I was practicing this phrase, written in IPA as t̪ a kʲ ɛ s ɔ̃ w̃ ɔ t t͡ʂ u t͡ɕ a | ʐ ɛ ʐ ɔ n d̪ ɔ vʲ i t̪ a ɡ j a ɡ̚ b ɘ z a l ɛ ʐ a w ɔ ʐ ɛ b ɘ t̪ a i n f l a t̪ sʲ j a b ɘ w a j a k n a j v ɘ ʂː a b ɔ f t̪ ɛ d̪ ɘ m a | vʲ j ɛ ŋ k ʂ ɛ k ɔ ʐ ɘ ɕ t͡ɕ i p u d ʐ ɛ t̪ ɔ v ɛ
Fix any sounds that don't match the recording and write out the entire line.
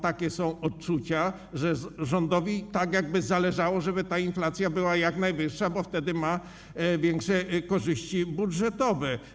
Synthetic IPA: t̪ a kʲ ɛ s ɔ̃ w̃ ɔ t t͡ʂ u t͡ɕ a | ʐ ɛ ʐ ɔ n d̪ ɔ vʲ i t̪ a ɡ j a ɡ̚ b ɘ z a l ɛ ʐ a w ɔ ʐ ɛ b ɘ t̪ a i n f l a t̪ sʲ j a b ɘ w a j a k n a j v ɘ ʂː a b ɔ f t̪ ɛ d̪ ɘ m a | vʲ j ɛ ŋ k ʂ ɛ k ɔ ʐ ɘ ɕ t͡ɕ i b u d ʐ ɛ t̪ ɔ v ɛ